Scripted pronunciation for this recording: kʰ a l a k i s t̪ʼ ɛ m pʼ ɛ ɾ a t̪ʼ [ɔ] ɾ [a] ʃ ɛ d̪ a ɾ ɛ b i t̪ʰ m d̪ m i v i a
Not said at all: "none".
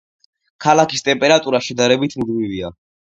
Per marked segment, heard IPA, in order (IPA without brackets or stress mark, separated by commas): u, a